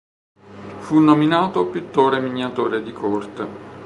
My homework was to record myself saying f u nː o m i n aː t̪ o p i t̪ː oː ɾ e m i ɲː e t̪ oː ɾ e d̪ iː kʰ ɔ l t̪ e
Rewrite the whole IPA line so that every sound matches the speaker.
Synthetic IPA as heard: f u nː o m i n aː t̪ o p i t̪ː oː ɾ e m i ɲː a t̪ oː ɾ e d̪ i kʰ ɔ r t̪ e

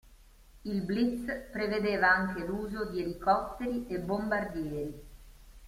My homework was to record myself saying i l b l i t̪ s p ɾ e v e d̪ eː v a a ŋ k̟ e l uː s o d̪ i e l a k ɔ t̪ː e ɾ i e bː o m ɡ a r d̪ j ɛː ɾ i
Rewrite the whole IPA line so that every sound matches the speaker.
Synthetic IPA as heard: i l b l i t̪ s p ɾ e v e d̪ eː v a a ŋ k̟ e l uː z o d̪ i e l i k ɔ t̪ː e ɾ i e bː o m b a r d̪ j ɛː ɾ i

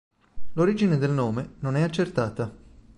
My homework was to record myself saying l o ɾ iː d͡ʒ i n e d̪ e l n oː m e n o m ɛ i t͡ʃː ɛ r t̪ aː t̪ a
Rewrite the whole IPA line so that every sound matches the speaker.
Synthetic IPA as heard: l o ɾ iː d͡ʒ i n e d̪ e l n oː m e n o n ɛ a t͡ʃː e r t̪ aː t̪ a

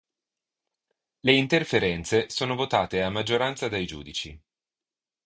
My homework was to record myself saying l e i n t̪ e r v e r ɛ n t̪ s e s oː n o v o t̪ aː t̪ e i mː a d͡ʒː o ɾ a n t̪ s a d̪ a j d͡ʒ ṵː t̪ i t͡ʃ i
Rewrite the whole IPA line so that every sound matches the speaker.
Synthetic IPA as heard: l e i n t̪ e r f e ɾ ɛ n t̪ s e s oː n o v o t̪ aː t̪ e a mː a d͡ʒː o ɾ a n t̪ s a d̪ a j d͡ʒ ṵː d̪ i t͡ʃ i

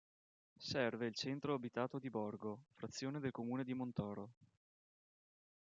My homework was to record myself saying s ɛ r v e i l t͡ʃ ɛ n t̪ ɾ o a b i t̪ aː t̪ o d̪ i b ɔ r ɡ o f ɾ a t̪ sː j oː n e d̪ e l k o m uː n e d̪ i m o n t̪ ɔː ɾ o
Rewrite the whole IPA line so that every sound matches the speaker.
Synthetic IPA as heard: s ɛ r v e i l t͡ʃ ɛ n t̪ ɾ o a b i t̪ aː t̪ o d̪ i b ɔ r ɡ o f ɾ a t̪ sː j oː n e d̪ e l k o m uː n e d̪ i m o n t̪ ɔː ɾ o

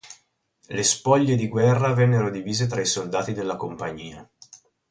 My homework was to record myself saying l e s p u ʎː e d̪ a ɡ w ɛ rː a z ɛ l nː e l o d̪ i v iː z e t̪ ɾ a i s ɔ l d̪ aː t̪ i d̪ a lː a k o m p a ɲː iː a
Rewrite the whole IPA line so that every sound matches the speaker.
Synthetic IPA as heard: l e s p ɔ ʎː e d̪ i ɡ w ɛ rː a v ɛ nː e ɾ o d̪ i v iː z e t̪ ɾ a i s o l d̪ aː t̪ i d̪ e lː a k o m p a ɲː iː a

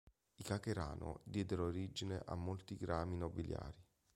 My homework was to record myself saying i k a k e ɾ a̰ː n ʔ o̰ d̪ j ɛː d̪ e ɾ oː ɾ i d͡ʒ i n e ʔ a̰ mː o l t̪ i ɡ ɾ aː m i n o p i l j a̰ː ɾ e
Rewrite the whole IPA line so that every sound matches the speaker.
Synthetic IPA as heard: i k a k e ɾ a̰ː n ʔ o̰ d̪ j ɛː d̪ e ɾ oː ɾ i d͡ʒ i n e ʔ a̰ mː o l t̪ i ɡ ɾ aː m i n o b i l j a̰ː ɾ i

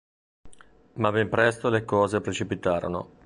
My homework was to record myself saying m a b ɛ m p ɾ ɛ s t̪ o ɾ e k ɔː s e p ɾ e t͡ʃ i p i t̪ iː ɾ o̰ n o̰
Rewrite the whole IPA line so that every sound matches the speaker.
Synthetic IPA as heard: m a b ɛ m p ɾ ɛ s t̪ o l e k ɔː z e p ɾ e t͡ʃ i p i t̪ aː ɾ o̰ n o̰

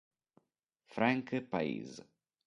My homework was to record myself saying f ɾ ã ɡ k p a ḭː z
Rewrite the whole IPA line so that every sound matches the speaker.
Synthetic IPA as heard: f ɾ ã ŋ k p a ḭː z

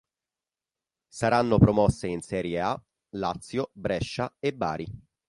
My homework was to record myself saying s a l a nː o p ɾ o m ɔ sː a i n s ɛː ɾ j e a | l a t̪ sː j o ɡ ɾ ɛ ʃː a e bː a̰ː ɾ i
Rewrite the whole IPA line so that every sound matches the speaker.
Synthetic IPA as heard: s a ɾ a nː o p ɾ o m ɔ sː e i n s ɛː ɾ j e a | l a t̪ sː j o b ɾ ɛ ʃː a e bː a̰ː ɾ i

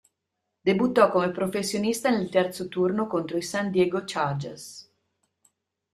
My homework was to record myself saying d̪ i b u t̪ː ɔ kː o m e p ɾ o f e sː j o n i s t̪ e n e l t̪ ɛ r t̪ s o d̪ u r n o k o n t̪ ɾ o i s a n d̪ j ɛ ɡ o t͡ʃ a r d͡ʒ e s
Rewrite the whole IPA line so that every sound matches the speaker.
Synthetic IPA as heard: d̪ e b u t̪ː ɔ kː o m e p ɾ o f e sː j o n i s t̪ a n e l t̪ ɛ r t̪ s o t̪ u r n o k o n t̪ ɾ o i s a n d̪ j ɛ ɡ o t͡ʃ a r d͡ʒ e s

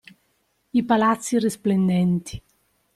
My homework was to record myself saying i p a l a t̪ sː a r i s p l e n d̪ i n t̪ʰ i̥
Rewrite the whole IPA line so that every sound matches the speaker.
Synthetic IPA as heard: i p a l a t̪ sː i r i s p l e n d̪ ɛ n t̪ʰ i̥

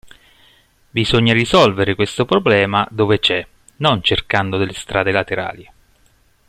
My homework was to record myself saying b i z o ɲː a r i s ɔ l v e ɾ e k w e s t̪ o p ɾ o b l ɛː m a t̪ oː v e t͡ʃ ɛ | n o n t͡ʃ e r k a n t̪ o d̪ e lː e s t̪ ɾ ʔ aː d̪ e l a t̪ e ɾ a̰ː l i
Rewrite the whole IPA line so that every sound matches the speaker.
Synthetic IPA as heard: b i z o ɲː a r i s ɔ l v e ɾ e k w e s t̪ o p ɾ o b l ɛː m a d̪ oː v e t͡ʃ ɛ | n o n t͡ʃ e r k a n d̪ o d̪ e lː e s t̪ ɾ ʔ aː d̪ e l a t̪ e ɾ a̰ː l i

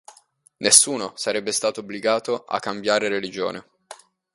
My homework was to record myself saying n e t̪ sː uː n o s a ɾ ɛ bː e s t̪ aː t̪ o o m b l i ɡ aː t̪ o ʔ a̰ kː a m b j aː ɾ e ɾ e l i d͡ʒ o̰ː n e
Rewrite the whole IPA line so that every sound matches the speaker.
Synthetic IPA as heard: n e sː uː n o s a ɾ ɛ bː e s t̪ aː t̪ o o b l i ɡ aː t̪ o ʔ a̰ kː a m b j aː ɾ e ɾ e l i d͡ʒ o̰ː n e

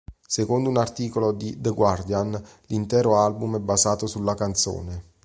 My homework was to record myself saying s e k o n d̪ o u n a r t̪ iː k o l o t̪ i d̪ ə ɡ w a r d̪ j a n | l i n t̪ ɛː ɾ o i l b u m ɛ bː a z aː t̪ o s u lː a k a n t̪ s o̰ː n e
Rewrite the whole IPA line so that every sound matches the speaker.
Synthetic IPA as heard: s e k o n d̪ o u n a r t̪ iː k o l o d̪ i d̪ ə ɡ w a r d̪ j a n | l i n t̪ ɛː ɾ o a l b u m ɛ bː a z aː t̪ o s u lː a k a n t̪ s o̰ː n e

